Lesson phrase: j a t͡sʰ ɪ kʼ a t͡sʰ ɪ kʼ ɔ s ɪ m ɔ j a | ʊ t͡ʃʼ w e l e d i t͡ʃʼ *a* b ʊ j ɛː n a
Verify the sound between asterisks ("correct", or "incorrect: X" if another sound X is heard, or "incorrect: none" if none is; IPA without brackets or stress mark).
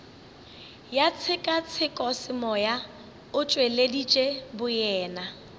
incorrect: e